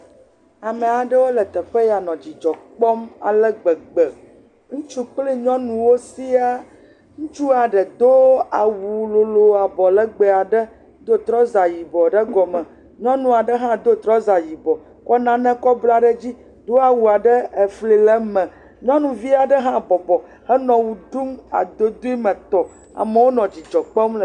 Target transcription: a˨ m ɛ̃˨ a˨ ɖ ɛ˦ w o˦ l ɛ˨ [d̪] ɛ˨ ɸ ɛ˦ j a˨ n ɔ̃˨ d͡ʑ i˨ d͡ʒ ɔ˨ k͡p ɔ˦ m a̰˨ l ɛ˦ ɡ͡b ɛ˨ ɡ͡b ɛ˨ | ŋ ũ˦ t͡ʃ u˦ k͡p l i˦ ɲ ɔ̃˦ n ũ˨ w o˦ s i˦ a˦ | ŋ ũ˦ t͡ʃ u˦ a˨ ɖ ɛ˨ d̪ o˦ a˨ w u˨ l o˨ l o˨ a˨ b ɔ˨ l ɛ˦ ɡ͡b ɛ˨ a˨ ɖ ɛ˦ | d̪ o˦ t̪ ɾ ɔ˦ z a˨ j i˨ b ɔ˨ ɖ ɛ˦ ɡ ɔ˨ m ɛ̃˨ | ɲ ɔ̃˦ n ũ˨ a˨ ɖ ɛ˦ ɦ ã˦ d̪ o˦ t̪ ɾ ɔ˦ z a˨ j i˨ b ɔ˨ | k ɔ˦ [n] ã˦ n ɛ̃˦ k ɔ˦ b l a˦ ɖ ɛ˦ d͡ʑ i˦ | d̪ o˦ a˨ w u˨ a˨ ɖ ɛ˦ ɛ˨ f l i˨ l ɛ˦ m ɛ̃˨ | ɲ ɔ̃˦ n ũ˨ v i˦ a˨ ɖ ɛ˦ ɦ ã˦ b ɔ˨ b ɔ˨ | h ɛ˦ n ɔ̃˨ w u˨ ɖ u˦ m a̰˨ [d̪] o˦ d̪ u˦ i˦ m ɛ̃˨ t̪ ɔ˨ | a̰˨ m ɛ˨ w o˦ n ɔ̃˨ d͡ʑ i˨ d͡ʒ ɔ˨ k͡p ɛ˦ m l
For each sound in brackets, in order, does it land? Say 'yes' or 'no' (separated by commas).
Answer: no, yes, yes